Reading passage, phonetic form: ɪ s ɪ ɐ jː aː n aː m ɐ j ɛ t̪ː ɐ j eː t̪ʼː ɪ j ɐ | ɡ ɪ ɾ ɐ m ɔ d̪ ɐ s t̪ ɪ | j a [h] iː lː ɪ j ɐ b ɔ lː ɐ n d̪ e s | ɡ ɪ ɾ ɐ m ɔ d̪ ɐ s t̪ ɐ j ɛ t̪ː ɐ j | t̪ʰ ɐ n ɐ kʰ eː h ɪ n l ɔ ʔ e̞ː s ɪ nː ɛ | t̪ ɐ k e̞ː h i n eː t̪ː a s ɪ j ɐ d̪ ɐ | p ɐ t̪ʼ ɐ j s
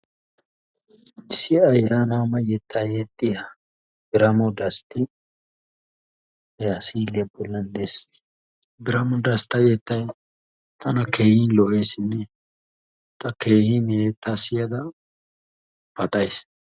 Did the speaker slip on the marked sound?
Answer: yes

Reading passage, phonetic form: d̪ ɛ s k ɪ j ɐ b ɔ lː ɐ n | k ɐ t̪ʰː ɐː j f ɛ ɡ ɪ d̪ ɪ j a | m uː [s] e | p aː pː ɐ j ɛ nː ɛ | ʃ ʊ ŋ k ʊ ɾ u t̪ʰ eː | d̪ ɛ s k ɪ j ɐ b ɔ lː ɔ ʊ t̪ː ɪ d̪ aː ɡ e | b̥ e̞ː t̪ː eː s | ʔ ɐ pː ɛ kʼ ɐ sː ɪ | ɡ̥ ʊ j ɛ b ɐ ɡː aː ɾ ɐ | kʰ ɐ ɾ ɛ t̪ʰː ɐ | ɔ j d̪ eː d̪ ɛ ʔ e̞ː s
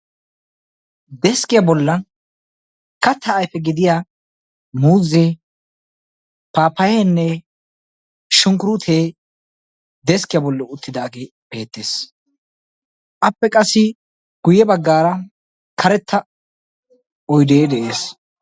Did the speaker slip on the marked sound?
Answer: yes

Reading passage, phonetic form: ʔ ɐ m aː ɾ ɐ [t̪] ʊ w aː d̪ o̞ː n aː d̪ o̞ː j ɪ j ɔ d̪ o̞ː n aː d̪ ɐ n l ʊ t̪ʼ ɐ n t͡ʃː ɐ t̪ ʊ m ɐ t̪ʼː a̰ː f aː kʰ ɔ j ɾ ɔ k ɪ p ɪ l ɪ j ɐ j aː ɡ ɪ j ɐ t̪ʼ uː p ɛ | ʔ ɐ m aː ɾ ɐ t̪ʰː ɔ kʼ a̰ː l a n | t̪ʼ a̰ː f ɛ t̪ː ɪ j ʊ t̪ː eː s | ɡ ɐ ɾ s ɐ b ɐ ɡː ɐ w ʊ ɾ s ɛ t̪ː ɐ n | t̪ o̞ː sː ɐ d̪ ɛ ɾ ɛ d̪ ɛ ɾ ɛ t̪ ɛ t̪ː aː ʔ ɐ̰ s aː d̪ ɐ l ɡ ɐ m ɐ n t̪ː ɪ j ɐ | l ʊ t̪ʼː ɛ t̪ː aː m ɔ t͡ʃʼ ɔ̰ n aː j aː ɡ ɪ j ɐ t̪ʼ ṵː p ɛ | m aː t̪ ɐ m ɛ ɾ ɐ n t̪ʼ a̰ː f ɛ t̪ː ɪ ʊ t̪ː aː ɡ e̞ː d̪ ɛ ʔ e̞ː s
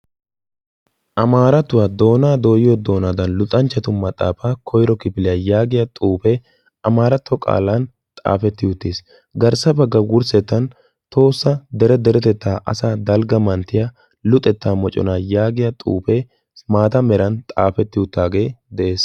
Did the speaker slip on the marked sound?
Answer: no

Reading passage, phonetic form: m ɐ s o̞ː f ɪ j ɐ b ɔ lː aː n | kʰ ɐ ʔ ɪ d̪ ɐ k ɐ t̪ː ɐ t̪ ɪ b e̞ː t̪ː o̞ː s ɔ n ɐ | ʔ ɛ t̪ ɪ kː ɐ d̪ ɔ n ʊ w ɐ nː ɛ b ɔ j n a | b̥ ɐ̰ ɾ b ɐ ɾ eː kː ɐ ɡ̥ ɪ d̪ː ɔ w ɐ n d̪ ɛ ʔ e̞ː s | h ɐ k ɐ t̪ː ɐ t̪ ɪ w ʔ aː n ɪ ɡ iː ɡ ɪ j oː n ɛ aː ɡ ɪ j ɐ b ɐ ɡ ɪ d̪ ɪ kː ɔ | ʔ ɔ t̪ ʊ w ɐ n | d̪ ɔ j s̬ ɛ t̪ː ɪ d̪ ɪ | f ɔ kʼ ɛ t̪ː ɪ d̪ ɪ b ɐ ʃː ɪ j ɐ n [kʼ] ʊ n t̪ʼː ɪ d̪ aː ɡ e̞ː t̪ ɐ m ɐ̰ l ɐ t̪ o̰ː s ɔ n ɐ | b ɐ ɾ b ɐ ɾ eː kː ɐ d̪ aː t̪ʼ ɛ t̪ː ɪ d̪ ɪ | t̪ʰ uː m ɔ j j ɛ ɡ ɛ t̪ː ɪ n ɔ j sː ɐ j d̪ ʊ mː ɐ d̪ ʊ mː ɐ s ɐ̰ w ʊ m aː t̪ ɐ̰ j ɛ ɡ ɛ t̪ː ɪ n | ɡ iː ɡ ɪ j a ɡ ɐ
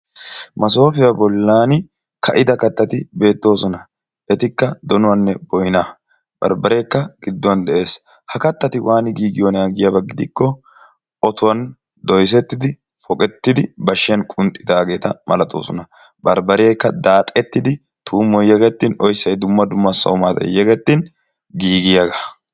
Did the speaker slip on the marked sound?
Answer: no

